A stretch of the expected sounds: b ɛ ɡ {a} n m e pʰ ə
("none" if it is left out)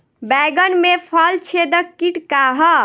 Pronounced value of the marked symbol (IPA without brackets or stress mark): ə